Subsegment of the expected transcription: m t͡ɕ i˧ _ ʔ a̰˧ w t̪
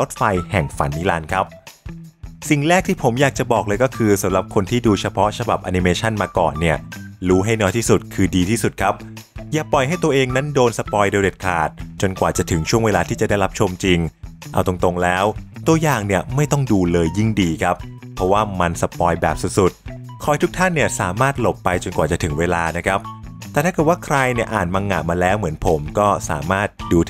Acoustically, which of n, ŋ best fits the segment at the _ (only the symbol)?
ŋ